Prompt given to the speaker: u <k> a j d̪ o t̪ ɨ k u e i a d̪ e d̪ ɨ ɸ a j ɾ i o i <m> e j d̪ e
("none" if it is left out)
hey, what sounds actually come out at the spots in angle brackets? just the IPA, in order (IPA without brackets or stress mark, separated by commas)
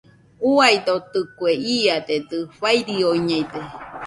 none, ɲ